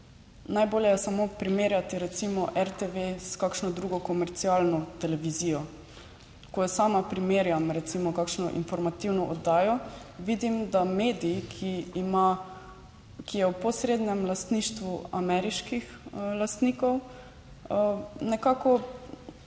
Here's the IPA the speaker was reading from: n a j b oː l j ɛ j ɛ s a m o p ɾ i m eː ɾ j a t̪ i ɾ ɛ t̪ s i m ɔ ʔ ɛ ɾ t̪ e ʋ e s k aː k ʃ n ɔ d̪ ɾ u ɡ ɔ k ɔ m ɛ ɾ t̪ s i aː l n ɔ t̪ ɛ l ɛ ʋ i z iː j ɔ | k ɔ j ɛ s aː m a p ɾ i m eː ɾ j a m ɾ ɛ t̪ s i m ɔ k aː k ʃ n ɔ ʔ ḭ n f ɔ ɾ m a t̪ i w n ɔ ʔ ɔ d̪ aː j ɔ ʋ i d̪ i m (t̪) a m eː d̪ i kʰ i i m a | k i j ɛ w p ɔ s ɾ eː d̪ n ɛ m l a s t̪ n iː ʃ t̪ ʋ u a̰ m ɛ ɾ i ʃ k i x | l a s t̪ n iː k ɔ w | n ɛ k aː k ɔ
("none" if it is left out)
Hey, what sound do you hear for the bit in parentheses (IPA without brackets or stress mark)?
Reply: d̪